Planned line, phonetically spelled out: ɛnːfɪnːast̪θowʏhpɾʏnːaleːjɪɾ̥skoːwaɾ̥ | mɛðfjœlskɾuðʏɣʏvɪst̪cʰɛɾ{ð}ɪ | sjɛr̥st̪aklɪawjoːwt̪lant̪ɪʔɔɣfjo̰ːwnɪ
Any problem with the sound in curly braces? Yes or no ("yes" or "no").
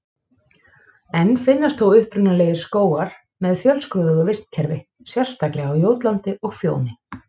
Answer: yes